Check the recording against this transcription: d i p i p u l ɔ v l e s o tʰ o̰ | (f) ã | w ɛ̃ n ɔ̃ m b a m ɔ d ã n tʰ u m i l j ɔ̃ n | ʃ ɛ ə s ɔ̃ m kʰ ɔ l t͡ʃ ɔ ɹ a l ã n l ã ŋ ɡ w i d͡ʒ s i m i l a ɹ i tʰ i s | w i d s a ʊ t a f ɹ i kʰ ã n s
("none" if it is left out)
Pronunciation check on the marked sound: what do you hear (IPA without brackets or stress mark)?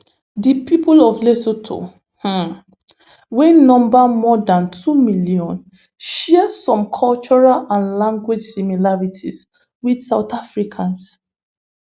h